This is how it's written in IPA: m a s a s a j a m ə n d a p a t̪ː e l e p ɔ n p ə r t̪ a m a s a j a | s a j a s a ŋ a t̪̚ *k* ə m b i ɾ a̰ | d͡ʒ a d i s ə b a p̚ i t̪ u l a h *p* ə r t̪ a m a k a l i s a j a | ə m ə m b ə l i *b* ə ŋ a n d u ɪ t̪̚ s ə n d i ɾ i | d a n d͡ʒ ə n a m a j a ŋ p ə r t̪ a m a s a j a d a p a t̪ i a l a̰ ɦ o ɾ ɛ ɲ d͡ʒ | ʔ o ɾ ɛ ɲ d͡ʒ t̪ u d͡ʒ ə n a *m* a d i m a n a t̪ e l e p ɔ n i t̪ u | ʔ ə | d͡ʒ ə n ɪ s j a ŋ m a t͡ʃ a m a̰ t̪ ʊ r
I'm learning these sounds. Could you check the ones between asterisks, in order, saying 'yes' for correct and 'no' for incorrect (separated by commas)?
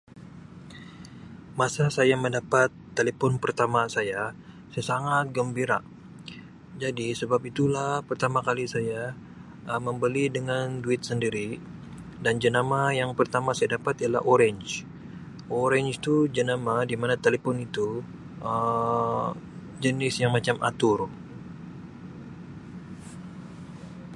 no, yes, no, yes